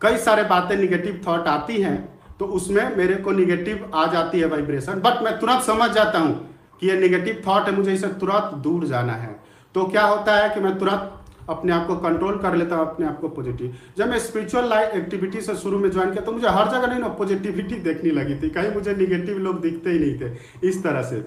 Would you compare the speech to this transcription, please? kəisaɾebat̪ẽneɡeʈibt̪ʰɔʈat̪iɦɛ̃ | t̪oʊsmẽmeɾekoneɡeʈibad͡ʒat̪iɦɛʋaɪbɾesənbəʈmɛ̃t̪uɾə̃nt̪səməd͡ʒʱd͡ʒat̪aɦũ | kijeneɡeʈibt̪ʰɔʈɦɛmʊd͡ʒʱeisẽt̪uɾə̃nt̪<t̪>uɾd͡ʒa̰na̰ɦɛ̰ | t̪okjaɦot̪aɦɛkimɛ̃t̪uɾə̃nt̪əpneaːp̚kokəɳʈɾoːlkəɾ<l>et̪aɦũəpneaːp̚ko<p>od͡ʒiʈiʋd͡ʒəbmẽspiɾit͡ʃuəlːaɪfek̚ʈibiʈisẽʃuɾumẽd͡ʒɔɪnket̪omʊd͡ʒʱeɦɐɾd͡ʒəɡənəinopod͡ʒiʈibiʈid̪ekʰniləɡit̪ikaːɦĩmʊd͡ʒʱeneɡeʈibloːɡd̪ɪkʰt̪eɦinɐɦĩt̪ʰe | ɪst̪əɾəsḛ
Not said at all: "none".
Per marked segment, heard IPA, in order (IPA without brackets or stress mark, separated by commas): d̪, l, p